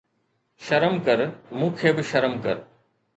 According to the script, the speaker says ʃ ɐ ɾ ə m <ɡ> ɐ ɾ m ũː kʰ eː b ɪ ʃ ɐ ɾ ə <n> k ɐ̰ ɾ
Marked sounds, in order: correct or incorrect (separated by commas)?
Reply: incorrect, incorrect